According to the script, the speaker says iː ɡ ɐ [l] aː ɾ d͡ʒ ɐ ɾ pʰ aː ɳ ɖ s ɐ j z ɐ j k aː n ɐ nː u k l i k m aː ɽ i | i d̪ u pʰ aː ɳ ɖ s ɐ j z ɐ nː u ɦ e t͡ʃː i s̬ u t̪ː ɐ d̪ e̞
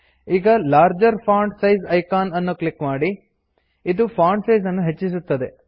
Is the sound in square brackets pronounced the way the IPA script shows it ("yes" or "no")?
yes